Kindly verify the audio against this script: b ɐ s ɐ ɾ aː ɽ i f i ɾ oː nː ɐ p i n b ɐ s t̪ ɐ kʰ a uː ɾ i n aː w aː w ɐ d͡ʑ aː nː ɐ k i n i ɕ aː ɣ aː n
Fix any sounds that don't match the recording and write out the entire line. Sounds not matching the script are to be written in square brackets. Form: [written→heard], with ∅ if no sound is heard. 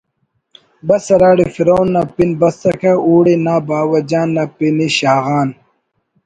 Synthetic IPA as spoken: b ɐ s ɐ ɾ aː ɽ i f i ɾ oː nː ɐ p i n b ɐ s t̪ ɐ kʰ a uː [ɾ→ɽ] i n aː [w→b] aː w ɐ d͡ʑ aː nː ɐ [k→p] i n i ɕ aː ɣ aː n